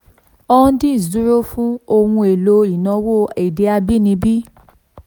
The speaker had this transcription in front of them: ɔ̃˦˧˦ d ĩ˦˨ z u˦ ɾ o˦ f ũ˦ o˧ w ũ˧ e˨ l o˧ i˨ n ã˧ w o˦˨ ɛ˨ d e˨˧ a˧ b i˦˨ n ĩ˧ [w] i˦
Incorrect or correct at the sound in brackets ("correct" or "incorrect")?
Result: incorrect